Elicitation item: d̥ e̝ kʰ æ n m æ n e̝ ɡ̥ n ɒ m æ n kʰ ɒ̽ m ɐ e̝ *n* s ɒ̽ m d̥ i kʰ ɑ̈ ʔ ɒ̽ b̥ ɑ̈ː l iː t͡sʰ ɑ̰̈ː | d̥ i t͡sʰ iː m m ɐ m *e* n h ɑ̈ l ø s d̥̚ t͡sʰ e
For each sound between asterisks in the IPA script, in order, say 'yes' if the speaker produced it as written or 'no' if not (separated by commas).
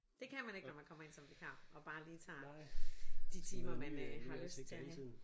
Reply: yes, no